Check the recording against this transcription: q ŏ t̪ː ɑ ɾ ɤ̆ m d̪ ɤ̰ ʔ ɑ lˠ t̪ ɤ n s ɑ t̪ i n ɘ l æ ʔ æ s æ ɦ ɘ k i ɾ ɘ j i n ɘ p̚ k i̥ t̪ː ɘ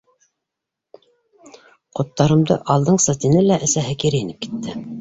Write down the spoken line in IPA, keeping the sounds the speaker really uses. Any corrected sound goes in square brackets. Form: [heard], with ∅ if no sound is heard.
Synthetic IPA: q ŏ t̪ː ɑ ɾ ɤ̆ m d̪ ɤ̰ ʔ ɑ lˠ [d̪] ɤ [ɴ] s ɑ t̪ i n ɘ l æ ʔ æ s æ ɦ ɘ k i ɾ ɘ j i n ɘ p̚ k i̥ t̪ː ɘ